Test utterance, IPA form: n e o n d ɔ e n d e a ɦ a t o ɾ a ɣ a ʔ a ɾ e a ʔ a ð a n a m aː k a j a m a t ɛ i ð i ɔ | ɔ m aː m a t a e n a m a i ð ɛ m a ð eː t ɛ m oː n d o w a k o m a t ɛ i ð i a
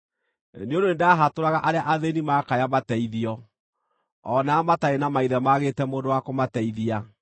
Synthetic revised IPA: n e o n d o e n d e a ɦ a t o ɾ a ɣ a ʔ a ɾ e a ʔ a ð e n i m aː k a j a m a t ɛ i ð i ɔ | ɔ n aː m a t a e n a m a i ð ɛ m a ɣ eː t ɛ m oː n d o w a k o m a t ɛ i ð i a